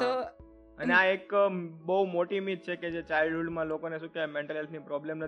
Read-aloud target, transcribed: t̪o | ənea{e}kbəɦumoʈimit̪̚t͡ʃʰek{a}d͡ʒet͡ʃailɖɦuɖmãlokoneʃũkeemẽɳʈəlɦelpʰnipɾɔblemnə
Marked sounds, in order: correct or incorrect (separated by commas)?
correct, incorrect